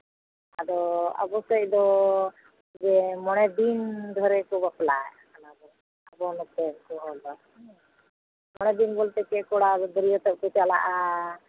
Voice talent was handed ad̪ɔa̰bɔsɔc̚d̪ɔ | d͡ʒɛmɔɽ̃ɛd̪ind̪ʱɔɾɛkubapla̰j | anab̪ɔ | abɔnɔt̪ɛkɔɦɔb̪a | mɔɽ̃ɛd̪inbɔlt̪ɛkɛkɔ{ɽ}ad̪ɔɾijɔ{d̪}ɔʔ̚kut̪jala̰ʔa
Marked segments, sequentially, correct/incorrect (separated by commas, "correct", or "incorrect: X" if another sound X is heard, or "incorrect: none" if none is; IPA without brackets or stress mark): correct, incorrect: t̪